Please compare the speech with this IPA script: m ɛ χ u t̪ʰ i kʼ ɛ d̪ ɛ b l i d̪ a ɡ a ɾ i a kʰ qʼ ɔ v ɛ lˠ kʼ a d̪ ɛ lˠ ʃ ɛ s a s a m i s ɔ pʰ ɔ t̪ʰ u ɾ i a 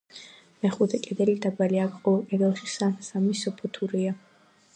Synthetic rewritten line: m ɛ χ u t̪ʰ ɛ kʼ ɛ d̪ ɛ l i d̪ a b a l i a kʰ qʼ ɔ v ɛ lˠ kʼ ɛ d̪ ɛ lˠ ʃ i s a s a m i s ɔ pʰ ɔ t̪ʰ u ɾ i a